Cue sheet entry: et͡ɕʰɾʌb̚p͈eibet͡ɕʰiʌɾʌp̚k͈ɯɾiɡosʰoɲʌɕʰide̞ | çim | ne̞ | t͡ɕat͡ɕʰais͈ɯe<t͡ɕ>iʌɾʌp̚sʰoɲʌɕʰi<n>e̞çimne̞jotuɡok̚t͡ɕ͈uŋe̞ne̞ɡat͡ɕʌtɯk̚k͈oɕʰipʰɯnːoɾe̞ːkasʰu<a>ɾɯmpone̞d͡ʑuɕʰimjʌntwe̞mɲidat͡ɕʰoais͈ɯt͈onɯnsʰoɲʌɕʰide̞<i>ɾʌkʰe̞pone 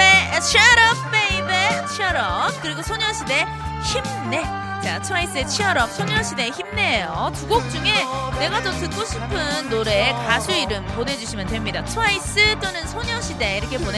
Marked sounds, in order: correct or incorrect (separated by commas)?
incorrect, incorrect, incorrect, correct